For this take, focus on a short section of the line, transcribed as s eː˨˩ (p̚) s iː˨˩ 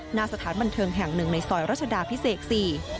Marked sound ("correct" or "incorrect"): incorrect